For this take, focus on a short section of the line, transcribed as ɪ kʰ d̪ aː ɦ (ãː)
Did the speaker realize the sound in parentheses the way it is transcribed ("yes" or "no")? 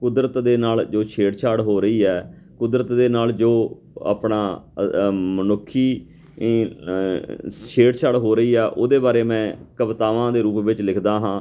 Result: yes